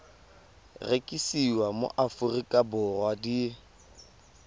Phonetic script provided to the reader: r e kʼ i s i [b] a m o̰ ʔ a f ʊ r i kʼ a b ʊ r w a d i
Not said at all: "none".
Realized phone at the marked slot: w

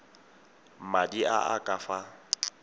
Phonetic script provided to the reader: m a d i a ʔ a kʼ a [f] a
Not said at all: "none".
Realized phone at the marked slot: f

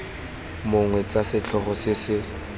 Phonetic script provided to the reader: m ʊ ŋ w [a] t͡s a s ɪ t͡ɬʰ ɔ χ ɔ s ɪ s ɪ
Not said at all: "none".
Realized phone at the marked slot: ɛ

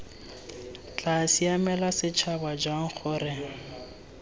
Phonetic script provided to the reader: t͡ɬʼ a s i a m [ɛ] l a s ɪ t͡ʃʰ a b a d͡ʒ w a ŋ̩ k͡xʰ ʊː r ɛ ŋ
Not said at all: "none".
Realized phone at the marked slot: ɛ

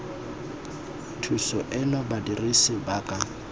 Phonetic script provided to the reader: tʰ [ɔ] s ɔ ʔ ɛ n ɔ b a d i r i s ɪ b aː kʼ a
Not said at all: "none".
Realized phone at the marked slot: u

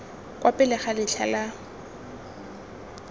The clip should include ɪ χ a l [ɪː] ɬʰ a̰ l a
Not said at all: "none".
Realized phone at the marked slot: ɪ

